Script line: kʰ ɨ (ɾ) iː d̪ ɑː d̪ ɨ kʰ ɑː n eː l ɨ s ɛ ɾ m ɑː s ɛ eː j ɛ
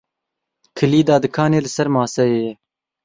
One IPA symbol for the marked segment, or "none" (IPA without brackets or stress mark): l